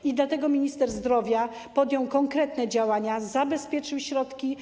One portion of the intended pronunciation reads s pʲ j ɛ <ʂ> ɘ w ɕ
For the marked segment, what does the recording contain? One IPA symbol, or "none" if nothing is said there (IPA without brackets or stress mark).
t͡ʂ